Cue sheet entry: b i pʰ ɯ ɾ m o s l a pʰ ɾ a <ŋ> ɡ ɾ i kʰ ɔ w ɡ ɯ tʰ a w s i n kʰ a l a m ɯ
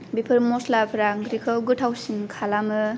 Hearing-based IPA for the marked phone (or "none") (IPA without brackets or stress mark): ŋ